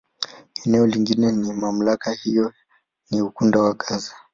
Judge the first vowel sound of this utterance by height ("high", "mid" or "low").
mid